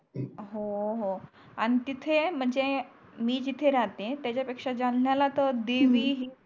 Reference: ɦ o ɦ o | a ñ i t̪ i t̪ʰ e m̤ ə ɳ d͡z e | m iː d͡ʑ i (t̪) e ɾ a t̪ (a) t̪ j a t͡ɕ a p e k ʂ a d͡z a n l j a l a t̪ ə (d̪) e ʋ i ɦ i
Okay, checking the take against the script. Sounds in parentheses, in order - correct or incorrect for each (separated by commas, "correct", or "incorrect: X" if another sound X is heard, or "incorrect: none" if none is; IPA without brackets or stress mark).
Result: incorrect: t̪ʰ, incorrect: e, correct